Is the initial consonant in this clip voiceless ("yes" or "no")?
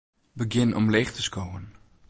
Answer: no